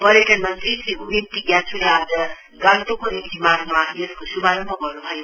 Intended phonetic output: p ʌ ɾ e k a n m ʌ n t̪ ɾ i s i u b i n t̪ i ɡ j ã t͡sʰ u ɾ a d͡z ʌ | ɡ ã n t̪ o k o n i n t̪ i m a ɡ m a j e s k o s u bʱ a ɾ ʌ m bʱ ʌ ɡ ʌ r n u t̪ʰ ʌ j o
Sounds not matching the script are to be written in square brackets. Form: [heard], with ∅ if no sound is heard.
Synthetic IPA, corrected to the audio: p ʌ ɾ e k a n m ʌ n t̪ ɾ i s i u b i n t̪ i ɡ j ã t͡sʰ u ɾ a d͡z ʌ | ɡ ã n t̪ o k o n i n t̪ i m a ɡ m a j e s k o s u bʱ a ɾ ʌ m bʱ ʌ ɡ ʌ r n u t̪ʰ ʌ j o